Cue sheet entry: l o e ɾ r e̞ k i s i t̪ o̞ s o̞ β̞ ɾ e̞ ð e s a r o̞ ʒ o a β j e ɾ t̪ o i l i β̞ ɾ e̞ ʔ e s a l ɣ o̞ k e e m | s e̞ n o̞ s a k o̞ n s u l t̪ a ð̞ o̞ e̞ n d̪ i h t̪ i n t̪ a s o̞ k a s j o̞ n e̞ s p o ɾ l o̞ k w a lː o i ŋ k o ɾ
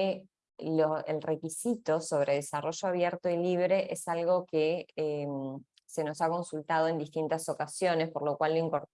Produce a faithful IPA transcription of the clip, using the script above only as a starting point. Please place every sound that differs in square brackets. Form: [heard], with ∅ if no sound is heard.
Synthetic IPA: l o e [l] r e̞ k i s i t̪ o̞ s o̞ β̞ ɾ e̞ ð e s a r o̞ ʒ o a β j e ɾ t̪ o i l i β̞ ɾ e̞ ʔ e s a l ɣ o̞ k e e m | s e̞ n o̞ s a k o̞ n s u l t̪ a ð̞ o̞ e̞ n d̪ i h t̪ i n t̪ a s o̞ k a s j o̞ n e̞ s p o ɾ l o̞ k w a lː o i ŋ k o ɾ